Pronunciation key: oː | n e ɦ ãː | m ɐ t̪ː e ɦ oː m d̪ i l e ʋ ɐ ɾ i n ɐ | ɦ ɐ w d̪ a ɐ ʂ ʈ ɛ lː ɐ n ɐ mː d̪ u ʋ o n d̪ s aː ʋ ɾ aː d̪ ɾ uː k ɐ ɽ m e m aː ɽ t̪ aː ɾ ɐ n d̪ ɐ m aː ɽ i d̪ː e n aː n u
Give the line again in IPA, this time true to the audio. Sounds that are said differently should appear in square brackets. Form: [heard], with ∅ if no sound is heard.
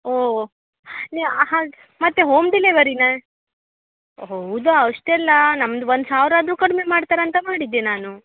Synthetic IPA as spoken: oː | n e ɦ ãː | m ɐ t̪ː e ɦ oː m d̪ i l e ʋ ɐ ɾ i n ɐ | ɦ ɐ w d̪ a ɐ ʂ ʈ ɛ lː ɐ n ɐ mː d̪ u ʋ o n d̪ s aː ʋ ɾ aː d̪ ɾ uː k ɐ ɽ m e m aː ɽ t̪ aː ɾ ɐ n [t̪] ɐ m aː ɽ i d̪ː e n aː n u